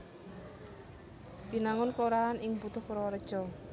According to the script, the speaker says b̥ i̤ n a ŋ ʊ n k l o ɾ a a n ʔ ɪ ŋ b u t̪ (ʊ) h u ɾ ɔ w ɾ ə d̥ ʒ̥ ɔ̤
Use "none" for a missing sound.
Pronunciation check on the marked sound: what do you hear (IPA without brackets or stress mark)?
ʊ